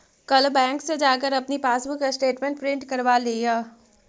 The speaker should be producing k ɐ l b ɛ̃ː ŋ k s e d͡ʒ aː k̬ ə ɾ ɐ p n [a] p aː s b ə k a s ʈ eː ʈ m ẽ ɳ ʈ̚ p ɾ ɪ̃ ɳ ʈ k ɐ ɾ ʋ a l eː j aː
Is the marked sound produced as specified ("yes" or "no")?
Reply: no